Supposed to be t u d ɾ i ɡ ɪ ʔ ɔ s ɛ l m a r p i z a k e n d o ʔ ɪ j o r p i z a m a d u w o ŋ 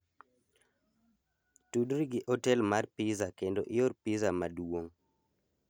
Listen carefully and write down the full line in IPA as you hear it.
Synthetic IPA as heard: t u d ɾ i ɡ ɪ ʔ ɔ t ɛ l m a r p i z a k e n d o ʔ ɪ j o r p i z a m a d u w o ŋ